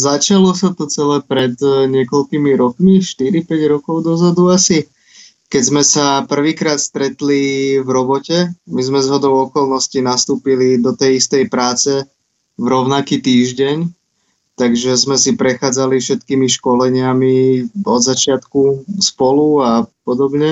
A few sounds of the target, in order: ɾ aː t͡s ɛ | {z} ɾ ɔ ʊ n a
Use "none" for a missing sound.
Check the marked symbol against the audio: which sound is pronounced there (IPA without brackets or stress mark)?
v